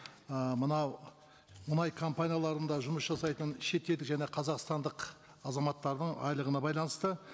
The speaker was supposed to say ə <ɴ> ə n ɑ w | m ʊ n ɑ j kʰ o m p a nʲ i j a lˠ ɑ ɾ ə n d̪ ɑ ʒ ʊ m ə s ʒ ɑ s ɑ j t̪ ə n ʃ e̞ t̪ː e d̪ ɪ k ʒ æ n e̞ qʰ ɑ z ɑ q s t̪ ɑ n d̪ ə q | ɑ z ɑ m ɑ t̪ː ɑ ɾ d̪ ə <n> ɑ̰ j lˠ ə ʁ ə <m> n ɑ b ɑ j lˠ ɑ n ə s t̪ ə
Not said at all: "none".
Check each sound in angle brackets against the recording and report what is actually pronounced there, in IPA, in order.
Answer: m, ɴ, none

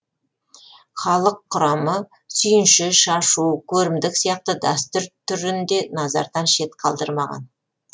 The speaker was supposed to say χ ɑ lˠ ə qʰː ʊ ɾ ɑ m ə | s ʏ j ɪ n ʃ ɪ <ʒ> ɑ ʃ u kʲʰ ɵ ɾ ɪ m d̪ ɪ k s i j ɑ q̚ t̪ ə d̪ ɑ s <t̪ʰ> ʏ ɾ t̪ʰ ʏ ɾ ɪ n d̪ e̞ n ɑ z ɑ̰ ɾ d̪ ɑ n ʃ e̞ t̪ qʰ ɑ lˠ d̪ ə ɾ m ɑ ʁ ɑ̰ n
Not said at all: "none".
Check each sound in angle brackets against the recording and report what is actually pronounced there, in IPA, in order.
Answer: ʃ, t̪

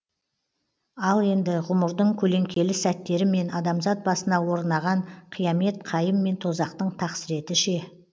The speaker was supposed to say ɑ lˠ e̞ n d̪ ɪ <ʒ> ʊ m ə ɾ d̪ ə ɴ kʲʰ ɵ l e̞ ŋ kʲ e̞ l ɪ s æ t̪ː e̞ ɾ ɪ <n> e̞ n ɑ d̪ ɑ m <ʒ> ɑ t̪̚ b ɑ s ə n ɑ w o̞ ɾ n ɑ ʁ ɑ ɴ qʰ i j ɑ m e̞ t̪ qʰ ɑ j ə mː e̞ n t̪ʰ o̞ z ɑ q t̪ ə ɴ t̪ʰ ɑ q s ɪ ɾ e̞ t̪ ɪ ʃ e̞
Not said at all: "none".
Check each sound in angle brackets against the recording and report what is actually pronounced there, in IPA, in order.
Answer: ʁ, m, z

